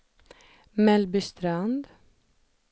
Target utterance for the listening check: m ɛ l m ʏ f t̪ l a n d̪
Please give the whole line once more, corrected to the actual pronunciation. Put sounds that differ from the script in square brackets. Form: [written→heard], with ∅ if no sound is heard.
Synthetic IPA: m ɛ l [m→b] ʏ [f→s] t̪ [l→ɾ] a n d̪